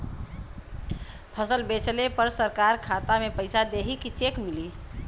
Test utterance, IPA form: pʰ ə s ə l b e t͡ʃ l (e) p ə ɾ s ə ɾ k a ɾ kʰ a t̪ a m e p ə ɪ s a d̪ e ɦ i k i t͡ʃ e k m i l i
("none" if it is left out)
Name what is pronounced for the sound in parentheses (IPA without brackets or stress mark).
e